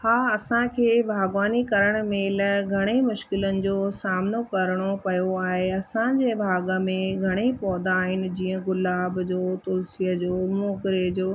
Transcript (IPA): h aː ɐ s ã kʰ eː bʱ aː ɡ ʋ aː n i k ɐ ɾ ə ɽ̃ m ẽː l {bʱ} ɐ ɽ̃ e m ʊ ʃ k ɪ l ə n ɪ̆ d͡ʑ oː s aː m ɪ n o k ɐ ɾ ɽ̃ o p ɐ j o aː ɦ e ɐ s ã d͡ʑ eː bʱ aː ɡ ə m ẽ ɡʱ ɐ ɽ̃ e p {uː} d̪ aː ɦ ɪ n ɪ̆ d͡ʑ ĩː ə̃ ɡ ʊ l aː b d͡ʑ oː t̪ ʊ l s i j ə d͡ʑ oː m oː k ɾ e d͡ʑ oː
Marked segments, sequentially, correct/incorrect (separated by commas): incorrect, incorrect